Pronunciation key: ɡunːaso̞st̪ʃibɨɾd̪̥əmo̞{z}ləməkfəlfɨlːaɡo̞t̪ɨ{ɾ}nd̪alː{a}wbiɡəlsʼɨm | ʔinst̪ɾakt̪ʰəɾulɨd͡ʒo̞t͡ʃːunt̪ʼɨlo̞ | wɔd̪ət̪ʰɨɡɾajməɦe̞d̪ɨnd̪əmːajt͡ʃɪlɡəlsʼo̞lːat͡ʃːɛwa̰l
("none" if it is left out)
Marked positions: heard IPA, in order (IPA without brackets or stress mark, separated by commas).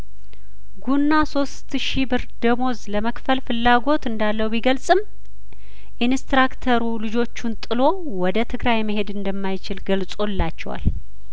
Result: z, none, ə